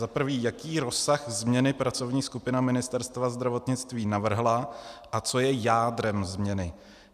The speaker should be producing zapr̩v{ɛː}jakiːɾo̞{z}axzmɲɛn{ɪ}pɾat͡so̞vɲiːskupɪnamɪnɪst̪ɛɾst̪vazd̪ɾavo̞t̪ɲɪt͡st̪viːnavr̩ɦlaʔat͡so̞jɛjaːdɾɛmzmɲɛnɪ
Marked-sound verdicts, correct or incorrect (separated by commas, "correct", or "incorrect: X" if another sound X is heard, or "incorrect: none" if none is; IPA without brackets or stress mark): incorrect: iː, incorrect: s, correct